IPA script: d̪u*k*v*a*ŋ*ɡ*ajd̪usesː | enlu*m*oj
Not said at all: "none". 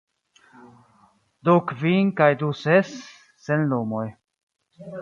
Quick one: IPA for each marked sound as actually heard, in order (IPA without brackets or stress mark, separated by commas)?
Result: k, i, k, m